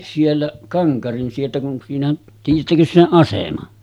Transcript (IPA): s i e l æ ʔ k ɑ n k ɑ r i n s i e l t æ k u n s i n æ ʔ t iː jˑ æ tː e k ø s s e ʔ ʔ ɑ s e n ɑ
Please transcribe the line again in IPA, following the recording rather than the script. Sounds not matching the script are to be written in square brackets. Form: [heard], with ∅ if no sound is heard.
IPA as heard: s i e [lː] æ ʔ k ɑ [ŋ] k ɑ r i n s i e l t æ k u n s [iː] n æ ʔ t iː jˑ æ tː [æ] k ø s s e ʔ ʔ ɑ s e [m] ɑ